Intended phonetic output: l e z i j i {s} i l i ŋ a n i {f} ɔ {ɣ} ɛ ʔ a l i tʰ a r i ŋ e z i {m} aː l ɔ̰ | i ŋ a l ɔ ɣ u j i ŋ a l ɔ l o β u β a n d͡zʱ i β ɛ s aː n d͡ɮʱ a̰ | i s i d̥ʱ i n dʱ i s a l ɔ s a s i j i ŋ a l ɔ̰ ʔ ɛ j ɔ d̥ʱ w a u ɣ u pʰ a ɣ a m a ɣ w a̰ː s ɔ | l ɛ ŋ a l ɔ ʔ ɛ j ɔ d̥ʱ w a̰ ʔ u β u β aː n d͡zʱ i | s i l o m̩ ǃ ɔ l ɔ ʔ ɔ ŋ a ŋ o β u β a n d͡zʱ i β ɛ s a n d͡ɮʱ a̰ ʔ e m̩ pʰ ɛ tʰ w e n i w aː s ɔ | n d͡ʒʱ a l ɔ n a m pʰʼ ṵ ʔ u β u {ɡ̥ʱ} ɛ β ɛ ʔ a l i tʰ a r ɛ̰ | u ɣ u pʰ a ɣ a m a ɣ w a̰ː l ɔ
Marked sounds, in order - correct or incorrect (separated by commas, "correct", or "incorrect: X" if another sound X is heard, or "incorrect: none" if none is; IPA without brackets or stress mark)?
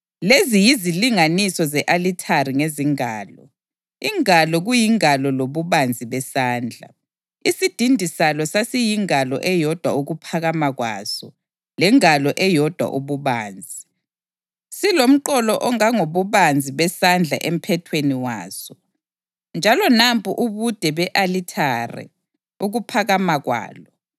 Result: incorrect: z, incorrect: s, incorrect: z, incorrect: ŋ, incorrect: d̥ʱ